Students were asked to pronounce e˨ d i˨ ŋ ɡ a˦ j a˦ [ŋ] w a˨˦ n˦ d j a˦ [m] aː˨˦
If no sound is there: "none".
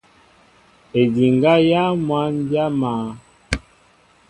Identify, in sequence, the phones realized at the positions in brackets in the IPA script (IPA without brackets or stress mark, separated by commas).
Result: m, m